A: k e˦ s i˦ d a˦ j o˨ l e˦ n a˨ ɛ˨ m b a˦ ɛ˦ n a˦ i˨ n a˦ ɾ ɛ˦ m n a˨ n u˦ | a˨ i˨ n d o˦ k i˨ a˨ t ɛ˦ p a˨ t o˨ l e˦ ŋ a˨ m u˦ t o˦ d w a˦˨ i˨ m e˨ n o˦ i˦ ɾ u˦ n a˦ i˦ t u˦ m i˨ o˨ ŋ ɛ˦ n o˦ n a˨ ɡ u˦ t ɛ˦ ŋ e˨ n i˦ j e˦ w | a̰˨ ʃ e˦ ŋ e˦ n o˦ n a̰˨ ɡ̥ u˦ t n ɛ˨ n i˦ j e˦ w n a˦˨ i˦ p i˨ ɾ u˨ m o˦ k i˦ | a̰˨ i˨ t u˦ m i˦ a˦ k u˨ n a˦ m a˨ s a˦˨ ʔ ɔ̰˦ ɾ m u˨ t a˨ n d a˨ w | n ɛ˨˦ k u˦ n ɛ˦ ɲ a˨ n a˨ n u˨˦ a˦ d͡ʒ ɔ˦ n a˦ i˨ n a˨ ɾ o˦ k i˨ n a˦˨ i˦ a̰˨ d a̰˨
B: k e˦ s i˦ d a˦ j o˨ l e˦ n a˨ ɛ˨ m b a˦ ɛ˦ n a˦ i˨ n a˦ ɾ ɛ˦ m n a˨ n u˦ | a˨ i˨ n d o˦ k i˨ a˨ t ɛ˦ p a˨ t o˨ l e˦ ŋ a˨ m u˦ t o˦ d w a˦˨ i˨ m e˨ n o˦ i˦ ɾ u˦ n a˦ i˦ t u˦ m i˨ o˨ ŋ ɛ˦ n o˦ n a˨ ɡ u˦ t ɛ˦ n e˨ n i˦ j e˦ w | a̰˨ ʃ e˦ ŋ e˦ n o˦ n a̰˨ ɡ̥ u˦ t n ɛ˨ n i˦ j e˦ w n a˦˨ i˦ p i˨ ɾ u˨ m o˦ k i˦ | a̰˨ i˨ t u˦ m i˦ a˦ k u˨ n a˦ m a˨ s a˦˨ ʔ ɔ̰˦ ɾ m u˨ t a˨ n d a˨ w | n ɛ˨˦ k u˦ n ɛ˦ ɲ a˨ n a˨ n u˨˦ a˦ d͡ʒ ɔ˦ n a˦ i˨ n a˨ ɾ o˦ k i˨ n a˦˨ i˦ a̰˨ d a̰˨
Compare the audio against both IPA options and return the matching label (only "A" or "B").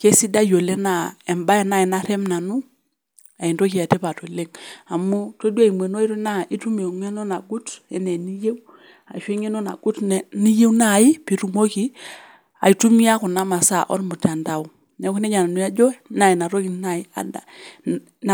B